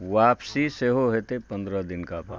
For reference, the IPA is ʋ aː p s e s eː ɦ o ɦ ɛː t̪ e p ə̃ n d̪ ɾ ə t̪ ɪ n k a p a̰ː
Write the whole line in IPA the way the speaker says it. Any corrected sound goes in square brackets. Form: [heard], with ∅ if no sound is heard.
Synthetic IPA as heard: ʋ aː p s [i] s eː ɦ o ɦ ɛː t̪ e p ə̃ n d̪ ɾ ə [d̪] ɪ n k a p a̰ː